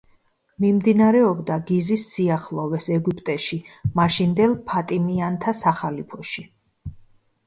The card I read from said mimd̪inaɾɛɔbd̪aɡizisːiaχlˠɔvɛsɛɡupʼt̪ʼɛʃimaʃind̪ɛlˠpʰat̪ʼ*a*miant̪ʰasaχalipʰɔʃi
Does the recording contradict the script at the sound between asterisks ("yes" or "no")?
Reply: yes